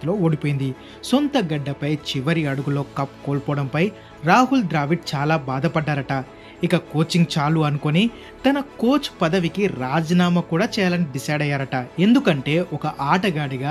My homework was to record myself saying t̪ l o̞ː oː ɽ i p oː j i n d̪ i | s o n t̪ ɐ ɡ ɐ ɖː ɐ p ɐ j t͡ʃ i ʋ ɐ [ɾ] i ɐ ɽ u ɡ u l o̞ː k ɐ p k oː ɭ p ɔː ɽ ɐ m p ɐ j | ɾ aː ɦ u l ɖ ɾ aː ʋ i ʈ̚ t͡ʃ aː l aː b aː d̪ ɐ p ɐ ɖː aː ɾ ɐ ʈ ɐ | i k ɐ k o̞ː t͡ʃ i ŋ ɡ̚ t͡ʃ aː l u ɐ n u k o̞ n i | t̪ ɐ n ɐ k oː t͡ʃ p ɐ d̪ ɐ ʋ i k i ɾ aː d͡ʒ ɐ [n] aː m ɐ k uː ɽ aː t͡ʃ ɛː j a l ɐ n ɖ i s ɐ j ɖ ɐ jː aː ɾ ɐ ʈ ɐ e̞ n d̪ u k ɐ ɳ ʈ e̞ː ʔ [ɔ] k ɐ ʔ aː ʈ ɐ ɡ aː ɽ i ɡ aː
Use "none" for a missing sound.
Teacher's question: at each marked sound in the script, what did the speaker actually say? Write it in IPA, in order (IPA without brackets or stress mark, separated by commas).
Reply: ɾ, n, ɔ